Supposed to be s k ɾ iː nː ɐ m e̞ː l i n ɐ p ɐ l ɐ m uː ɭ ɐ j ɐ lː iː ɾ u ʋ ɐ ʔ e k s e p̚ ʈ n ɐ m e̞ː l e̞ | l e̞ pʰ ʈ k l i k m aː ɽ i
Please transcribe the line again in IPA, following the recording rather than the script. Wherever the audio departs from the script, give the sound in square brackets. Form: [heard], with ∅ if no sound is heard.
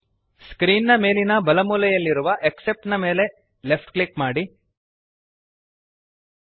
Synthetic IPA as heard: s k ɾ iː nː ɐ m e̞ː l i n ɐ [b] ɐ l ɐ m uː [l] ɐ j ɐ lː [i] ɾ u ʋ ɐ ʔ e k s e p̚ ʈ n ɐ m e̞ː l e̞ | l e̞ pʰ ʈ k l i k m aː ɽ i

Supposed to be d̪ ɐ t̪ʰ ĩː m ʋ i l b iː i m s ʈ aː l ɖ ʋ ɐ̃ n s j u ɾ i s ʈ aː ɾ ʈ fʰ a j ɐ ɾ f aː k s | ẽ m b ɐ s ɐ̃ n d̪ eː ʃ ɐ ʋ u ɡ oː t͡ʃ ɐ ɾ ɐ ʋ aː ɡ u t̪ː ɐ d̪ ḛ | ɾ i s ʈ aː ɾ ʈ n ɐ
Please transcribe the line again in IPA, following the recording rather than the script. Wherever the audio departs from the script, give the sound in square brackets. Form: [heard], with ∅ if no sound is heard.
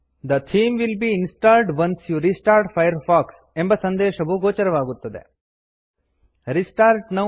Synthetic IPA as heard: d̪ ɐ t̪ʰ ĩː m ʋ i l b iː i [n] s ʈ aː l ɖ ʋ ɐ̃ n s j u ɾ i s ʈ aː ɾ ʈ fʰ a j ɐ ɾ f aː k s | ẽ m b ɐ s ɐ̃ n d̪ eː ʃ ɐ ʋ u ɡ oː t͡ʃ ɐ ɾ ɐ ʋ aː ɡ u t̪ː ɐ d̪ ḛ | ɾ i s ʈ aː ɾ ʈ n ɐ

